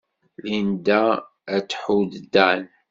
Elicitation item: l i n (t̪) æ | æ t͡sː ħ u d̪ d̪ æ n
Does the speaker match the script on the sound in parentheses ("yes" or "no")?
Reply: no